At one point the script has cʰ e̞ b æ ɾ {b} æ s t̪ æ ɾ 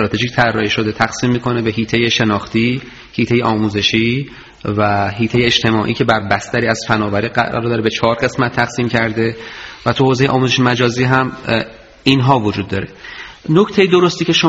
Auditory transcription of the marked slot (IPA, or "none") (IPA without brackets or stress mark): b